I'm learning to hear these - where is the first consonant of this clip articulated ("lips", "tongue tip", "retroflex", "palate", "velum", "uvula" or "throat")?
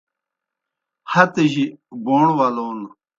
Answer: throat